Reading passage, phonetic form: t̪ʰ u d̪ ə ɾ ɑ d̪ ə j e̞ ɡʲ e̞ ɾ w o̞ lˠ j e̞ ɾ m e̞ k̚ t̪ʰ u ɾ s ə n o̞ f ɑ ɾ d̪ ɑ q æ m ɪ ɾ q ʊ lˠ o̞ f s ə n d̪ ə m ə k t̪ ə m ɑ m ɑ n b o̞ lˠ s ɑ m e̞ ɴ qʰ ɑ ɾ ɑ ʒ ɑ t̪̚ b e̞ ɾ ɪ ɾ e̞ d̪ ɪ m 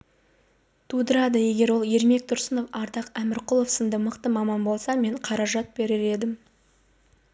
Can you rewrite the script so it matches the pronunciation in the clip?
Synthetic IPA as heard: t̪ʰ u d̪ ə ɾ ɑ d̪ ə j e̞ ɡʲ e̞ ɾ w o̞ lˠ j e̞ ɾ m e̞ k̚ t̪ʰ ʊ ɾ s ə n o̞ f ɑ ɾ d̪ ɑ q æ m ɪ ɾ q ʊ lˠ o̞ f s ə n d̪ ə m ə q t̪ ə m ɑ m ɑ n b o̞ lˠ s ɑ m e̞ ɴ qʰ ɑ ɾ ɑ ʒ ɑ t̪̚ b e̞ ɾ ɪ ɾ e̞ d̪ ɪ m